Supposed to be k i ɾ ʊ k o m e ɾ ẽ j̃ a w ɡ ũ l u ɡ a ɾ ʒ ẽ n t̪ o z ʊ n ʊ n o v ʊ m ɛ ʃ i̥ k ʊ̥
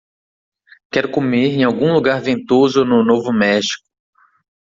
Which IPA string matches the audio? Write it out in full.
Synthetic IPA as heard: k ɛ ɾ ʊ k o m e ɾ ẽ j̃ a w ɡ ũ l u ɡ a ɾ v ẽ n t̪ o z ʊ n ʊ n o v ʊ m ɛ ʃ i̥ k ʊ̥

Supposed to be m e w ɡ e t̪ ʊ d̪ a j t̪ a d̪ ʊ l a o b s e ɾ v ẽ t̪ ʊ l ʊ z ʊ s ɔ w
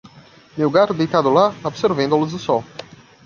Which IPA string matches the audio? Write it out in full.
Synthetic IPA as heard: m e w ɡ a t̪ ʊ d̪ e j t̪ a d̪ ʊ l a o b s e ɾ v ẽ d̪ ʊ l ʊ z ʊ s ɔ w

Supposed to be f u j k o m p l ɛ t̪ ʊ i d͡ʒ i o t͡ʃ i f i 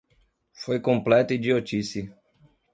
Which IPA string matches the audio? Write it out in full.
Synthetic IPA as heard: f o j k õ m p l ɛ t̪ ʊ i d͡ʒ i o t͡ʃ i s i

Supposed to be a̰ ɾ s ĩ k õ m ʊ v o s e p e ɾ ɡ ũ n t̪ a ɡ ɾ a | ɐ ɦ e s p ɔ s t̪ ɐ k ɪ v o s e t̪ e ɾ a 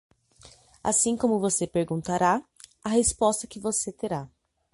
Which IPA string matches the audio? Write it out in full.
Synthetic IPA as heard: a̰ s ĩ k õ m ʊ v o s e p e ɾ ɡ ũ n t̪ a ɾ a | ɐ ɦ e s p ɔ s t̪ ɐ k ɪ v o s e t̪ e ɾ a

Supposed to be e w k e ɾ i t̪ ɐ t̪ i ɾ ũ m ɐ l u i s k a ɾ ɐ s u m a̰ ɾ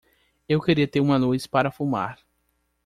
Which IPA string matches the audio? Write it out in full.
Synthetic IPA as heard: e w k e ɾ i ɐ t̪ e ɾ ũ m ɐ l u j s p a ɾ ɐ f u m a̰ ɾ

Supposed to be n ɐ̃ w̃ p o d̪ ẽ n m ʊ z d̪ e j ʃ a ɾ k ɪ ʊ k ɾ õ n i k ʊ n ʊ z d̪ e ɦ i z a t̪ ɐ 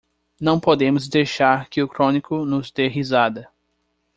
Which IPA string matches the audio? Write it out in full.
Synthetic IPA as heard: n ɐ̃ w̃ p o d̪ ẽ m ʊ z d̪ e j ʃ a ɾ k ɪ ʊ k ɾ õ n i k ʊ n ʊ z d̪ e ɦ i z a d̪ ɐ

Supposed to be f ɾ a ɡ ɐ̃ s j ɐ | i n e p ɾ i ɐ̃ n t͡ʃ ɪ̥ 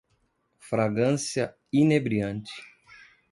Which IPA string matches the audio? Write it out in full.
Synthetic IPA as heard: f ɾ a ɡ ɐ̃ s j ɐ | i n e b ɾ i ɐ̃ n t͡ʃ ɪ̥

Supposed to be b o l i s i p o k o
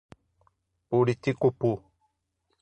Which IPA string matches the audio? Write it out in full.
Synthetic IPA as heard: p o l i t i k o p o

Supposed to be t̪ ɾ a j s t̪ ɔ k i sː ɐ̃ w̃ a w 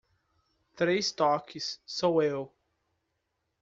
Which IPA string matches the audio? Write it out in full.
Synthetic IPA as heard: t̪ ɾ e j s t̪ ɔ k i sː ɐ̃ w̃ e w

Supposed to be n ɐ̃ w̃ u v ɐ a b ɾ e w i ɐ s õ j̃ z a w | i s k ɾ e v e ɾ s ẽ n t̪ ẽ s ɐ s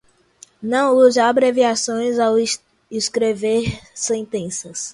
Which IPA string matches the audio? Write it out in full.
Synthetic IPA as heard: n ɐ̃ w̃ u z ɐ a b ɾ e v i a s õ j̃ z a w | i s k ɾ e v e ɾ s ẽ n t̪ ẽ s ɐ s

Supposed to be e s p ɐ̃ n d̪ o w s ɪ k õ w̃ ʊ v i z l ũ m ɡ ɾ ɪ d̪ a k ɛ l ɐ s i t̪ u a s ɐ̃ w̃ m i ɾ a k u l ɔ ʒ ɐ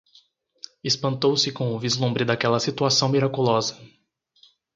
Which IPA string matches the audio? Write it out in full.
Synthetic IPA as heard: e s p ɐ̃ n t̪ o w s ɪ k õ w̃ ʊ v i z l ũ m b ɾ ɪ d̪ a k ɛ l ɐ s i t̪ u a s ɐ̃ w̃ m i ɾ a k u l ɔ z ɐ

